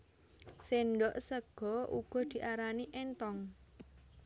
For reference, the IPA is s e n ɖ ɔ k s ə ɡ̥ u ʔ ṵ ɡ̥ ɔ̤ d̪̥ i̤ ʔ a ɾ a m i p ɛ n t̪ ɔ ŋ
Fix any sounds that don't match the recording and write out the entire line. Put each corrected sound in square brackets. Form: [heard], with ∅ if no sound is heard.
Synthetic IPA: s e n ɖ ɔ [ʔ] s ə ɡ̥ [ɔ] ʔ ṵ ɡ̥ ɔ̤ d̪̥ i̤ ʔ a ɾ a [n] i [ʔ] ɛ n t̪ ɔ ŋ